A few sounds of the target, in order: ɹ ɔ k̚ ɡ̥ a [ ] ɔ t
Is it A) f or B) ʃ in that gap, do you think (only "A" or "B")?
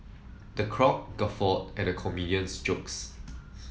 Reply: A